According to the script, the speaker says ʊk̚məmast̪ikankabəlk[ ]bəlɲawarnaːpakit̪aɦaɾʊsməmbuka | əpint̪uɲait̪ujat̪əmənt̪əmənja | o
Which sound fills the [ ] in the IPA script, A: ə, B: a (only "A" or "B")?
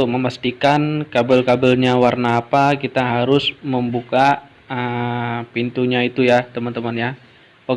B